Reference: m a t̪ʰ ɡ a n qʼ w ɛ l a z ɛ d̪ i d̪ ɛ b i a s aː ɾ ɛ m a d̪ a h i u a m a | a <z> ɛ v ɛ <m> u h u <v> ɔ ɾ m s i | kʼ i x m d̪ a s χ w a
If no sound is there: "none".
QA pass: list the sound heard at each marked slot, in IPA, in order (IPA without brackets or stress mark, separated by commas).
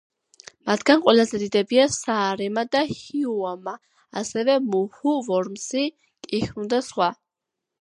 s, m, v